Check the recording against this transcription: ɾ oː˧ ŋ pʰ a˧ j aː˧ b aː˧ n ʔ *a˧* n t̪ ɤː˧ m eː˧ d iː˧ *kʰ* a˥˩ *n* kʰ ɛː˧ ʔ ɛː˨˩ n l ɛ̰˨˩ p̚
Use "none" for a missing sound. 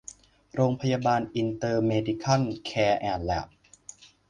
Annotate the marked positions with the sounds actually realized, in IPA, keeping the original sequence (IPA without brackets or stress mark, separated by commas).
i˧, kʰ, n